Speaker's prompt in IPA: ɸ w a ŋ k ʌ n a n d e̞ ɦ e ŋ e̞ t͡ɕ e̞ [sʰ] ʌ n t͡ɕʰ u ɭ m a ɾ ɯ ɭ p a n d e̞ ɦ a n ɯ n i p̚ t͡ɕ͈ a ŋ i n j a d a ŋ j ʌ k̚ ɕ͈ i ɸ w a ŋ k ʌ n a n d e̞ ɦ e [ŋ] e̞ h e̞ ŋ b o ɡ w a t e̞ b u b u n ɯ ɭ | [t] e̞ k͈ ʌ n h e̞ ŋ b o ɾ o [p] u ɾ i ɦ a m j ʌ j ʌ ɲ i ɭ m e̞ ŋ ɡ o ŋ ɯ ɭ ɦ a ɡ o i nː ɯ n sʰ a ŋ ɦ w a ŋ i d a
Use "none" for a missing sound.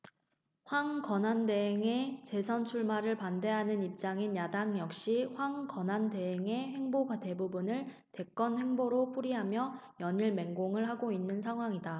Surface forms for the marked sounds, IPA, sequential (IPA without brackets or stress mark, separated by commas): sʰ, ŋ, t, pʰ